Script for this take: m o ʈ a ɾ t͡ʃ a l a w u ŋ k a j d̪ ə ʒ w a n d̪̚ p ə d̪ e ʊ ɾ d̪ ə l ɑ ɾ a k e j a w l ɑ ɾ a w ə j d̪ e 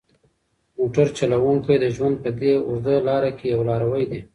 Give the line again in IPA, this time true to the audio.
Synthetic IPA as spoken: m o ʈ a ɾ t͡ʃ a l a w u ŋ k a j d̪ ə ʒ w a n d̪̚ p ə d̪ e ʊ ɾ d̪ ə l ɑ ɾ a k e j a w l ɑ ɾ a w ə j d̪ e